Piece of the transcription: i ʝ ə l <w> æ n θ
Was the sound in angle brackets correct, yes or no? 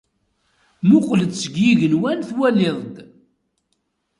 yes